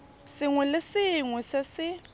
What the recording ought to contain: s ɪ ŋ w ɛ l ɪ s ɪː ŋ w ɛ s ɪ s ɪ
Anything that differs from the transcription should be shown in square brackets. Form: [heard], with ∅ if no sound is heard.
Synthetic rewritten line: s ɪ ŋ w ɛ l ɪ s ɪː ŋ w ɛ s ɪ s ɪ